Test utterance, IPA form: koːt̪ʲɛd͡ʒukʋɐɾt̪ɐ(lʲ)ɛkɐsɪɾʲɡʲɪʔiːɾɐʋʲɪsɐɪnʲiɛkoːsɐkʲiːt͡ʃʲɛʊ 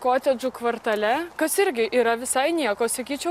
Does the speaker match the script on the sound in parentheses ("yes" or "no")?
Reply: yes